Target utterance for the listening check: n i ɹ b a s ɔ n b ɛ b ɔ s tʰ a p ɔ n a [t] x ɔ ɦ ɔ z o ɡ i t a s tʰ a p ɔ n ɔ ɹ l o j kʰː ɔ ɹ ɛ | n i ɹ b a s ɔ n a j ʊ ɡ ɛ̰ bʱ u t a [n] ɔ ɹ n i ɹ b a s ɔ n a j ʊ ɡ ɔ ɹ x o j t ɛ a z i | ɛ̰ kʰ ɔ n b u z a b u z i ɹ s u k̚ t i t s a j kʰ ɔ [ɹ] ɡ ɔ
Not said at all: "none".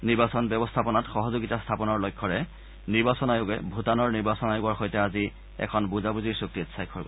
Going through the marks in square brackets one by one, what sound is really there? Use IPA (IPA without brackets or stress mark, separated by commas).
t, n, ɹ